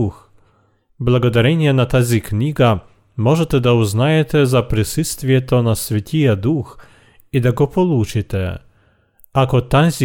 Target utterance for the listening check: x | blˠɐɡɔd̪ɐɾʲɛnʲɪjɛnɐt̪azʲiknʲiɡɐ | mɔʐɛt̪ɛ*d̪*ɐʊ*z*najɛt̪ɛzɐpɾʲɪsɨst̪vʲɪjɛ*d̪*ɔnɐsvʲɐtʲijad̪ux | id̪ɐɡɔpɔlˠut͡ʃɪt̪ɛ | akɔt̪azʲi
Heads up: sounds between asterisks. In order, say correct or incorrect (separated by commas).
correct, correct, incorrect